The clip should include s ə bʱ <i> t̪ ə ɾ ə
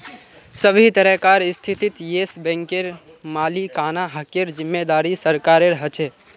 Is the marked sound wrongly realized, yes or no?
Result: no